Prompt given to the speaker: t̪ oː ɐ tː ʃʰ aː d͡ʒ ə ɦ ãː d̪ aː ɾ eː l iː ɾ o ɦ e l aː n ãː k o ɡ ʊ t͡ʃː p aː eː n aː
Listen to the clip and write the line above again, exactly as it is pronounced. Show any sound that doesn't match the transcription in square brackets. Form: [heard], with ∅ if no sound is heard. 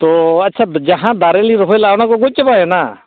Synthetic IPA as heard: t̪ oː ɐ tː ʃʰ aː d͡ʒ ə ɦ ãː d̪ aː ɾ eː l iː ɾ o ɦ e l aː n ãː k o ɡ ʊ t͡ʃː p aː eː n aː